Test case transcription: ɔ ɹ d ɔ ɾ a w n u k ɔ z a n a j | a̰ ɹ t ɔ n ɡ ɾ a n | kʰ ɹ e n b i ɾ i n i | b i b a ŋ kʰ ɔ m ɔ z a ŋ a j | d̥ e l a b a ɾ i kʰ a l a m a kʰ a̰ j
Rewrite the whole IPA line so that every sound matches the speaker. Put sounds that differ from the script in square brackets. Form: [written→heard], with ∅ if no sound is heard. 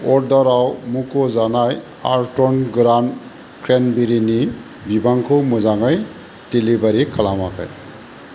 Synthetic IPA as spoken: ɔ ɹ d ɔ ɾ a w [n→m] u k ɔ z a n a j | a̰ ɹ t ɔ n ɡ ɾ a n | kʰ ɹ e n b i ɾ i n i | b i b a ŋ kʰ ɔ m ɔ z a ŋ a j | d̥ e l [a→i] b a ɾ i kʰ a l a m a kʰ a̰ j

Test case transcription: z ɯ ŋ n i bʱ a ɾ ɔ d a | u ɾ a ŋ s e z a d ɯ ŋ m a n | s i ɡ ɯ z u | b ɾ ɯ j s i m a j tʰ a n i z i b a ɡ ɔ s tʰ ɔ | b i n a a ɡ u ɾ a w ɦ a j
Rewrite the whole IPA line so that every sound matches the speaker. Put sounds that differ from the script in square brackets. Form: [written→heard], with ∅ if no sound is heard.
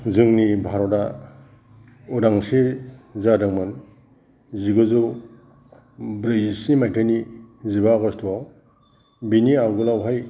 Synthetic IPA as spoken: z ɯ ŋ n i bʱ a ɾ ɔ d a | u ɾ a ŋ s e z a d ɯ ŋ m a n | [s→z] i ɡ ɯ z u | b ɾ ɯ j s i m a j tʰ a n i z i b a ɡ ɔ s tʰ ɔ | b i n [a→i] a ɡ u [ɾ→l] a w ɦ a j

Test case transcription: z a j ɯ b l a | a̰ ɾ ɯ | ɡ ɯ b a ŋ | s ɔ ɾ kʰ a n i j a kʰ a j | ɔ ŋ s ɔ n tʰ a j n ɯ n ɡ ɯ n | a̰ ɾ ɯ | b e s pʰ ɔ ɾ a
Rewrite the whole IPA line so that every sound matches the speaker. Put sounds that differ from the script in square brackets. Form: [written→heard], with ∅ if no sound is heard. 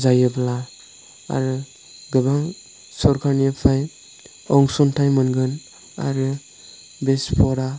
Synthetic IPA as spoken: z a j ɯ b l a | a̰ ɾ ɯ | ɡ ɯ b a ŋ | s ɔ ɾ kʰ a n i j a [kʰ→pʰ] a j | ɔ ŋ s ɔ n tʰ a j [n→m] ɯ n ɡ ɯ n | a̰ ɾ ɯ | b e s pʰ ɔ ɾ a

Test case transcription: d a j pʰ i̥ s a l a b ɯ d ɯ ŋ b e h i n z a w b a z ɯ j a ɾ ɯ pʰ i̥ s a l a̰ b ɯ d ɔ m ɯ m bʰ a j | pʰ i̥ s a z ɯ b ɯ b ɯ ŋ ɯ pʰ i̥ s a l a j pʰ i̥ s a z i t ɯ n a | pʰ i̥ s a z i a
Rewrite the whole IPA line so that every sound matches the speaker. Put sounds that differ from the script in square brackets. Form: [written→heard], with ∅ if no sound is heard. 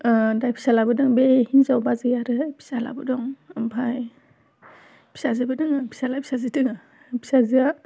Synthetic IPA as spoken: d a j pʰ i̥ s a l a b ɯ d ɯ ŋ b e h i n z a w b a z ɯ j a ɾ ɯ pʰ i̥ s a l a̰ b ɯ d ɔ [m→ŋ] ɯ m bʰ a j | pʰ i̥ s a z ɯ b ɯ [b→d] ɯ ŋ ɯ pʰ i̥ s a l a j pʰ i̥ s a z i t ɯ [n→ŋ] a | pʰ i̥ s a z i a

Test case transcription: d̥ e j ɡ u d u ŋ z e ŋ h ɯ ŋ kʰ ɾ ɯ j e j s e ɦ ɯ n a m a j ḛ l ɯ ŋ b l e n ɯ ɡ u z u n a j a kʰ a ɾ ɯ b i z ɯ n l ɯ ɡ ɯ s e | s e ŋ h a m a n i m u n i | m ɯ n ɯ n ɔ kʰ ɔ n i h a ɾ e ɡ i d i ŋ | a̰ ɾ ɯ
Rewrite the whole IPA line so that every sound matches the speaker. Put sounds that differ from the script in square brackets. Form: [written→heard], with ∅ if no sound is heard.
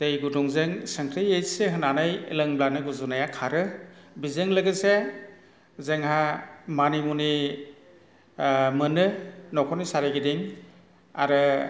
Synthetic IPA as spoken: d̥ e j ɡ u d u ŋ z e ŋ [h→s] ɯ ŋ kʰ ɾ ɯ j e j s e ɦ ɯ n a [m→n] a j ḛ l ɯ ŋ b l [e→a] n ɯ ɡ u z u n a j a kʰ a ɾ ɯ b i z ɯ [n→ŋ] l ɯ ɡ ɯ s e | [s→z] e ŋ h a m a n i m u n i | m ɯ n ɯ n ɔ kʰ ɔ n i [h→s] a ɾ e ɡ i d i ŋ | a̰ ɾ ɯ

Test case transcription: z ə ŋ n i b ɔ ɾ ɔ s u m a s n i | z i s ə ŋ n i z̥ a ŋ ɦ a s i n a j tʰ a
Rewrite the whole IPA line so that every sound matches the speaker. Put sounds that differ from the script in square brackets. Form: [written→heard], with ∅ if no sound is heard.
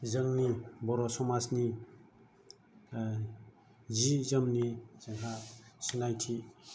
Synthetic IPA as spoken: z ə ŋ n i b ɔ ɾ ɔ s [u→ɔ] m a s n i | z i [s→z] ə [ŋ→m] n i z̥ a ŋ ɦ a s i n a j tʰ [a→i]

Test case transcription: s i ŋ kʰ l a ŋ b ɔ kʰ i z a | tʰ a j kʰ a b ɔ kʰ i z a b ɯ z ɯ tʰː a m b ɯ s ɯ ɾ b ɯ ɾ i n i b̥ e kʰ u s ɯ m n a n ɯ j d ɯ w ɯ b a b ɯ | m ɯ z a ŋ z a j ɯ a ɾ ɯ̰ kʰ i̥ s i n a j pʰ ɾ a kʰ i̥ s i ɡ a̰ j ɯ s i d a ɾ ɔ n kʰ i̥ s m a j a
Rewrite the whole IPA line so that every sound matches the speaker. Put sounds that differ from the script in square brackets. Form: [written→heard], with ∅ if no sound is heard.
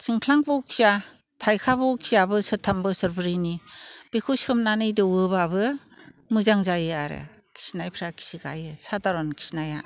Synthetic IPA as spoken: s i ŋ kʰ l a ŋ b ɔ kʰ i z a | tʰ a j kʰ a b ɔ kʰ i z a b ɯ [z→s] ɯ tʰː a m b ɯ s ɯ ɾ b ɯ ɾ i n i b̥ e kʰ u s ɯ m n a n ɯ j d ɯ w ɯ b a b ɯ | m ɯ z a ŋ z a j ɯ a ɾ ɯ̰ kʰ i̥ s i n a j pʰ ɾ a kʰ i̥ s i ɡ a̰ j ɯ s [i→a] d a ɾ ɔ n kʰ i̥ s [m→n] a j a

